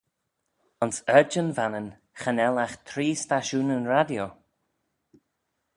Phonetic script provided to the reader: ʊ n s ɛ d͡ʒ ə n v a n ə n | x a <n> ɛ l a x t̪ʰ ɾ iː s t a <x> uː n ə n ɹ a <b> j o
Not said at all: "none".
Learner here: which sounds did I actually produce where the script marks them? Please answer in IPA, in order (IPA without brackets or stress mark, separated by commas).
n, ʃ, d